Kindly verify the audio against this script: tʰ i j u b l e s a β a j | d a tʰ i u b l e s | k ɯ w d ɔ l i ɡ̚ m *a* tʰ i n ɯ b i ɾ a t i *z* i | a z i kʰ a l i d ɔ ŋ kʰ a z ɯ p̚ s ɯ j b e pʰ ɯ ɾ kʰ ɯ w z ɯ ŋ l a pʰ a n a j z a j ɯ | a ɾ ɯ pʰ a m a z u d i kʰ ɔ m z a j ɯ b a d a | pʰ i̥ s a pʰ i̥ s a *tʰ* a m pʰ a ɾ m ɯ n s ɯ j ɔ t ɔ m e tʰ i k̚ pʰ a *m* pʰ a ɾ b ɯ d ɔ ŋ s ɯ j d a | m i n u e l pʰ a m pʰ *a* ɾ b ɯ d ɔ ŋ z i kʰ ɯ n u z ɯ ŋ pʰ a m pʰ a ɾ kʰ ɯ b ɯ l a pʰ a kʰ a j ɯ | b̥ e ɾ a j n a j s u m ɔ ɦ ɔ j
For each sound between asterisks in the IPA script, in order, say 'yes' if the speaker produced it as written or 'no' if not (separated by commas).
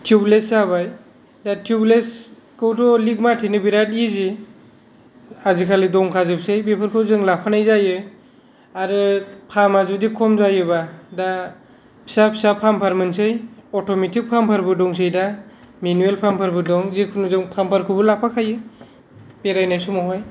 yes, yes, no, yes, yes